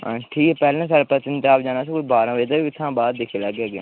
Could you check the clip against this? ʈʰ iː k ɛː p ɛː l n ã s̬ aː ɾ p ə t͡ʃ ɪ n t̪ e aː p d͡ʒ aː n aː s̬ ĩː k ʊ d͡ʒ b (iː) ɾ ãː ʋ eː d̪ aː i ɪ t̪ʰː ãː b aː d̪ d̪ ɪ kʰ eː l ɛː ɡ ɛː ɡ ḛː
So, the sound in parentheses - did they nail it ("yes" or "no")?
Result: no